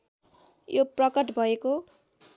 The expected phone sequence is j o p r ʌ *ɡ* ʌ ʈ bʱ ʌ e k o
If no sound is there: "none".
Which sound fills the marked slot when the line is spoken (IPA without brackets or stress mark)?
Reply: k